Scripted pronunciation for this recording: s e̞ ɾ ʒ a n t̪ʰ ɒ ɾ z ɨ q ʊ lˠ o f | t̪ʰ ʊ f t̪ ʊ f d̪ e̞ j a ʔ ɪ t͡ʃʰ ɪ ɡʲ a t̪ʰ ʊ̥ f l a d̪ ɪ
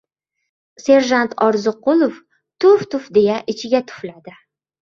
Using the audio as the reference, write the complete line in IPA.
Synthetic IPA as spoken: s e̞ ɾ ʒ a n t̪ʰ ɒ ɾ z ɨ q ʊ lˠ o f | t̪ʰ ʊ f t̪ ʊ f d̪ e̞ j a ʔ ɪ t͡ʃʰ ɪ ɡʲ a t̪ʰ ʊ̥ f l a d̪ ɪ